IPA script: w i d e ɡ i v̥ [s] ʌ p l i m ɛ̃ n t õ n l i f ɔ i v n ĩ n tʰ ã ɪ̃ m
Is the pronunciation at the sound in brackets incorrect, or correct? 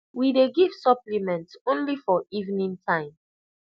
correct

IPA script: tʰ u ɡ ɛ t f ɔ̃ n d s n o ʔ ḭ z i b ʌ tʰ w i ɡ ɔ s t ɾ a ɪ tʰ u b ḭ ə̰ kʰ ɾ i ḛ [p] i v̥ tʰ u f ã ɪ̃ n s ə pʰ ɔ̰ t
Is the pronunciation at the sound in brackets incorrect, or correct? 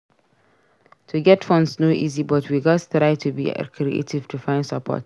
incorrect: t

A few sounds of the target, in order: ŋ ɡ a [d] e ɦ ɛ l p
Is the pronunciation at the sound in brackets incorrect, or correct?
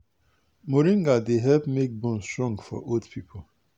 correct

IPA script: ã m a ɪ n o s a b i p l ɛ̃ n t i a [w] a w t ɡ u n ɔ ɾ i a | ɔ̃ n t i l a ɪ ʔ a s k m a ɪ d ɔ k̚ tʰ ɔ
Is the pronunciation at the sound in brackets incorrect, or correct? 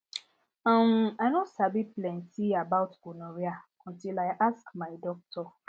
incorrect: b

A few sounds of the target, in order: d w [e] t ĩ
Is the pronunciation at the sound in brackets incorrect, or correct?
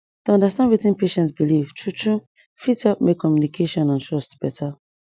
incorrect: i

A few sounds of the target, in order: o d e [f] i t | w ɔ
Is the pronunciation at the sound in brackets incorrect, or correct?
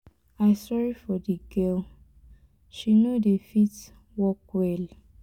correct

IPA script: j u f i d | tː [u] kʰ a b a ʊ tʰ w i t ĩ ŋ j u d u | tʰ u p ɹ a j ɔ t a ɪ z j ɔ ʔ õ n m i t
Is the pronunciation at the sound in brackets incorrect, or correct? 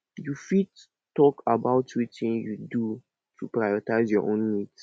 incorrect: ɔ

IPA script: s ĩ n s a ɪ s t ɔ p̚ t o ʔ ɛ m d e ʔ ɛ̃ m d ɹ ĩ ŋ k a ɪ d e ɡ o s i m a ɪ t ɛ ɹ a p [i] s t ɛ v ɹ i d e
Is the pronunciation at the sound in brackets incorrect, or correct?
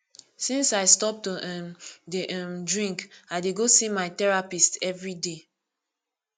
correct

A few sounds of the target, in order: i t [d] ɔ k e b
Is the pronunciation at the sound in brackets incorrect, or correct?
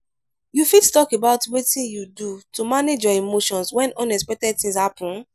incorrect: t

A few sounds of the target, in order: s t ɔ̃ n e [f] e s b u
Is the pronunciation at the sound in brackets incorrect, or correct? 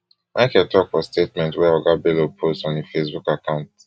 correct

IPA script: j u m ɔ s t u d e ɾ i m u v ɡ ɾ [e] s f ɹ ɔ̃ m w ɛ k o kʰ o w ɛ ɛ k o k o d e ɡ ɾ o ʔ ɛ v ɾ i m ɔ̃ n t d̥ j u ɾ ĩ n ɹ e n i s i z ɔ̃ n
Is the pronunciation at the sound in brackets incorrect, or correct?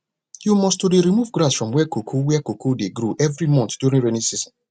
incorrect: a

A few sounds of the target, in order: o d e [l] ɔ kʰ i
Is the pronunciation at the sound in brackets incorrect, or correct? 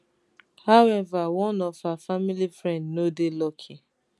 correct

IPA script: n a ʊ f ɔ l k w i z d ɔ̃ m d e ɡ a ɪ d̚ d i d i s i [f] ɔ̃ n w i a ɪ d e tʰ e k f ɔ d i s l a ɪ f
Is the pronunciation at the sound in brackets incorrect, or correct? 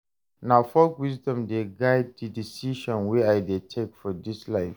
incorrect: ʃ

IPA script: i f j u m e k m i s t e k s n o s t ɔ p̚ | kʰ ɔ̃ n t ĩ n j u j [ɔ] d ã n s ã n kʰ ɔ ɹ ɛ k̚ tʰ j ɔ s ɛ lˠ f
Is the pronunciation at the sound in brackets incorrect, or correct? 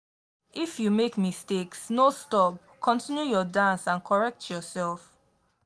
correct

